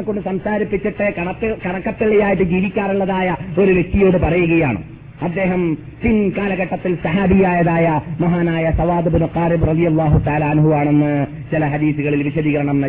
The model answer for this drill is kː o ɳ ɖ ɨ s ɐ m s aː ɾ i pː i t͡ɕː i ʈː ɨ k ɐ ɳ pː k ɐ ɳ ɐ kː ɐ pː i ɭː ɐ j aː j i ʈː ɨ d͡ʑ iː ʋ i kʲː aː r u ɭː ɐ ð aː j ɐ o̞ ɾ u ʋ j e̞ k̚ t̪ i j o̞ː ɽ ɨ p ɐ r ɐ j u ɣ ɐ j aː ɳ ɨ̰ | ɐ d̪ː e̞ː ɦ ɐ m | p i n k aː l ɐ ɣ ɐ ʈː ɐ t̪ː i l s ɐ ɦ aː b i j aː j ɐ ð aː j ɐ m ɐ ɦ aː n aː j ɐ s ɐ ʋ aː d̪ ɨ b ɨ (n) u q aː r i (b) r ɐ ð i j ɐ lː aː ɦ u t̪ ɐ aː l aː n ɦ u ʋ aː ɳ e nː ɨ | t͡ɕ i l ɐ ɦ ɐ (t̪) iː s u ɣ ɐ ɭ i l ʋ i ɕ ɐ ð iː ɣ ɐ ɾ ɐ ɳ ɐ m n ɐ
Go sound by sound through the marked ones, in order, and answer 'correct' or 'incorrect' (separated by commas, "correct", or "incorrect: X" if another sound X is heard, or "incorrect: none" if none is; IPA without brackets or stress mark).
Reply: correct, correct, incorrect: d̪